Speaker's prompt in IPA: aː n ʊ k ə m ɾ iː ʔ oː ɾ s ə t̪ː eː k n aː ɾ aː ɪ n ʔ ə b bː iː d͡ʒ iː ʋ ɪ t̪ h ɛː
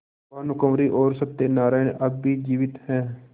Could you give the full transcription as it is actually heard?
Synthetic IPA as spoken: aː n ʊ k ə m ɾ iː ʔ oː ɾ s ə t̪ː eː n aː ɾ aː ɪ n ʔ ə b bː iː d͡ʒ iː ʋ ɪ t̪ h ɛː